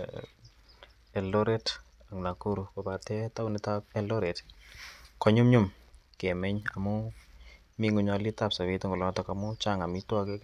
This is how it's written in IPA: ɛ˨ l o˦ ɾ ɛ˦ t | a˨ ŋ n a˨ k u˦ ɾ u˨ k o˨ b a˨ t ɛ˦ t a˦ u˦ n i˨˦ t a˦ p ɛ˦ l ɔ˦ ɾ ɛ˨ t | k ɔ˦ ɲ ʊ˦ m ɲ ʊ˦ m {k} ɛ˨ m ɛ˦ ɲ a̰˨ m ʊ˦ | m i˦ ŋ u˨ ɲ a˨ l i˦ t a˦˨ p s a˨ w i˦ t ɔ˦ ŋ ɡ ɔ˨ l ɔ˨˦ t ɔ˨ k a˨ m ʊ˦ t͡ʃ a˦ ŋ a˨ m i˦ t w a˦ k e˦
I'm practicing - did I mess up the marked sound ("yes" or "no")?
no